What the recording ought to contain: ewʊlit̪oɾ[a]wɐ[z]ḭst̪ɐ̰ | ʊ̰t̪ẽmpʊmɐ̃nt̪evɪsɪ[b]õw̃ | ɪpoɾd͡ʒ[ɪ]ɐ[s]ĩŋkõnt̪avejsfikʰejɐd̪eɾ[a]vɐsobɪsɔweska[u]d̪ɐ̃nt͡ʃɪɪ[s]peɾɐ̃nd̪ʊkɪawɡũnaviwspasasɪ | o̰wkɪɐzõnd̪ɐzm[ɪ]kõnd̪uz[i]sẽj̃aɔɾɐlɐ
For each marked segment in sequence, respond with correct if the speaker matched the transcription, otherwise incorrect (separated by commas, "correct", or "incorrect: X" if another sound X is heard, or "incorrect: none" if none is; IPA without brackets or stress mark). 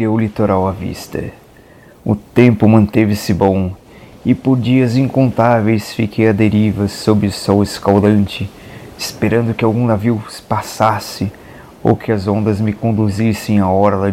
correct, incorrect: v, correct, incorrect: i, incorrect: z, incorrect: i, incorrect: w, correct, correct, correct